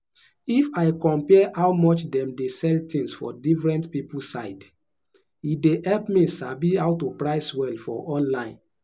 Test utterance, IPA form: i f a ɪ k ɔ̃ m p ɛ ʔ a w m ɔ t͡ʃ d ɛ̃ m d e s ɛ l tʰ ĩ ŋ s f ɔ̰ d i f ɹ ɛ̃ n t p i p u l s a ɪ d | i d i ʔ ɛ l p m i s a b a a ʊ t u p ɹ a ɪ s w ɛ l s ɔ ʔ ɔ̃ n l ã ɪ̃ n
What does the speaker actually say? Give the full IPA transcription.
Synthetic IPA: i f a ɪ k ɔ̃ m p ɛ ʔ a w m ɔ t͡ʃ d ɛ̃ m d e s ɛ l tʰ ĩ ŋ s f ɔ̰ d i f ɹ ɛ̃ n t p i p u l s a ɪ d | i d e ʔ ɛ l p m i s a b i a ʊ t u p ɹ a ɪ s w ɛ l f ɔ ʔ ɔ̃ n l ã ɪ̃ n